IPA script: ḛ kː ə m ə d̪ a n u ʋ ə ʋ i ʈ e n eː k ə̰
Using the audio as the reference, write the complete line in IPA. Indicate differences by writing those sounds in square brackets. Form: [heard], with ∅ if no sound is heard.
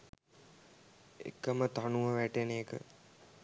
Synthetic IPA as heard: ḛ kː ə m ə [t̪] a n u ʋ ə ʋ [æ] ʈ e n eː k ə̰